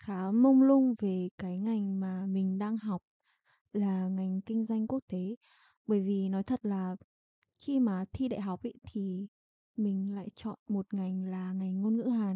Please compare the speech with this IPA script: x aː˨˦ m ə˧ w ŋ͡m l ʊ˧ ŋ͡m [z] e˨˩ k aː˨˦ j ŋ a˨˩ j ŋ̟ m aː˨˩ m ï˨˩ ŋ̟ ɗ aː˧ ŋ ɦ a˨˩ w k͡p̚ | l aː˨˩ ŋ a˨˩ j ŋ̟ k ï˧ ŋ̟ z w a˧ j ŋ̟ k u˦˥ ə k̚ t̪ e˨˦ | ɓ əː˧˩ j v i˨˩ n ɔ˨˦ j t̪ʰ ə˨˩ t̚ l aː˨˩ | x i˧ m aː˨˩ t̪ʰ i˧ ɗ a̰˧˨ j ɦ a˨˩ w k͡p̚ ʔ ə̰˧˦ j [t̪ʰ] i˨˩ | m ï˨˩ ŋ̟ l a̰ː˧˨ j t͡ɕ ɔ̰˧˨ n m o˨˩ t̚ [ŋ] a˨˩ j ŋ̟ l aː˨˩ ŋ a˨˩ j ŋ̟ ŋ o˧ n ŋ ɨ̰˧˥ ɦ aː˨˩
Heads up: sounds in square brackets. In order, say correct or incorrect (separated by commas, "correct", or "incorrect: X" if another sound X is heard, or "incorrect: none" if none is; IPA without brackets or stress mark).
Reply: incorrect: v, correct, correct